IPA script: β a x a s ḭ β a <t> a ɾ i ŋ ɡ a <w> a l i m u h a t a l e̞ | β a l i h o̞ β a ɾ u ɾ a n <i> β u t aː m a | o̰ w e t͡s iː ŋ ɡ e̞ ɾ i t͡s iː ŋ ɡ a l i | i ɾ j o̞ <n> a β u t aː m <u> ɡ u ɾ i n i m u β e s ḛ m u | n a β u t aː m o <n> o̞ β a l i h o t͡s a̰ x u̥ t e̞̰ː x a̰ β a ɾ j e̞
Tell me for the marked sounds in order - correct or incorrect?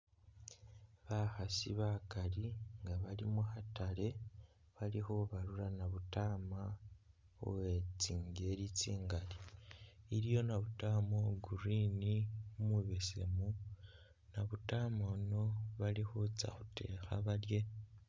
incorrect: k, incorrect: β, incorrect: a, correct, incorrect: o, correct

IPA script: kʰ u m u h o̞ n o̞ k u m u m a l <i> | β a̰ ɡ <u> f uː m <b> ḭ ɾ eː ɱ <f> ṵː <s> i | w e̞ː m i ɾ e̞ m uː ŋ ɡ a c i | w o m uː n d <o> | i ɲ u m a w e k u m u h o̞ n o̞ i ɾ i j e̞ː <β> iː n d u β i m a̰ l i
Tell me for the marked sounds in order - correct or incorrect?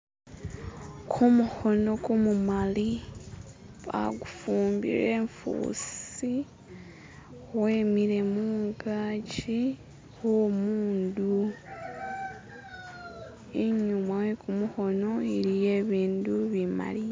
correct, correct, correct, correct, correct, incorrect: u, correct

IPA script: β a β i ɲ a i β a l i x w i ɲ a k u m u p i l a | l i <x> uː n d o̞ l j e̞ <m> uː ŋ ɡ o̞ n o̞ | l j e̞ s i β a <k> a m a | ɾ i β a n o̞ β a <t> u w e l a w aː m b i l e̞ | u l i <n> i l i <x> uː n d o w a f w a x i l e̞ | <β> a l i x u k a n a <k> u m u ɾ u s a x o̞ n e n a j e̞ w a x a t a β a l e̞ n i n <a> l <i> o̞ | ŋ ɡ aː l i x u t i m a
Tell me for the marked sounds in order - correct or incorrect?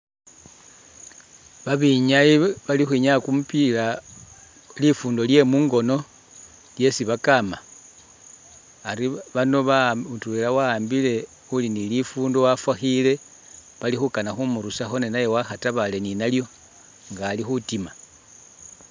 incorrect: f, correct, correct, correct, correct, incorrect: f, correct, incorrect: x, correct, incorrect: j

